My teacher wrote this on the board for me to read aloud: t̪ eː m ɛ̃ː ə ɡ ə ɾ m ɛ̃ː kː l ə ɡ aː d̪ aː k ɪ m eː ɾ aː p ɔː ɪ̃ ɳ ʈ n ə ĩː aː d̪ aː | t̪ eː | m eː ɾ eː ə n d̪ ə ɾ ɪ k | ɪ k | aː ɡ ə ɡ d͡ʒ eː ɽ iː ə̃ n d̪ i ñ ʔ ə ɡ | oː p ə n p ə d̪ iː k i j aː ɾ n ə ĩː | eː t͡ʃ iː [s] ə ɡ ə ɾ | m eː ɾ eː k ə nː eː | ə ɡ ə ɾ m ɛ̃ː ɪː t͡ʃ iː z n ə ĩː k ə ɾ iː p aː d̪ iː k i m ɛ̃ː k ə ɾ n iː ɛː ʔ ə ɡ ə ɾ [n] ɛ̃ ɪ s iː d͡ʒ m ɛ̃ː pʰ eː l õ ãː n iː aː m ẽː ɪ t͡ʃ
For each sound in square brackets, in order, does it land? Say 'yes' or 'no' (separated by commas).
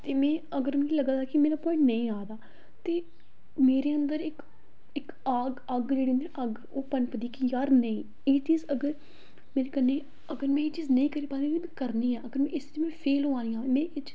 no, no